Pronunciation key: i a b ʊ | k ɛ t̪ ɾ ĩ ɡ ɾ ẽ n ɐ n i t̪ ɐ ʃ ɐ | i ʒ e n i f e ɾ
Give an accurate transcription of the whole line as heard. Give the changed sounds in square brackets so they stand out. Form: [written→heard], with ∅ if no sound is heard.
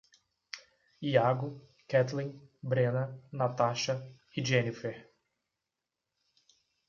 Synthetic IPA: i a [b→ɡ] ʊ | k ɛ t̪ [ɾ→l] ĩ [ɡ→b] ɾ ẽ n ɐ n [i→a] t̪ [ɐ→a] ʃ ɐ | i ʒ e n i f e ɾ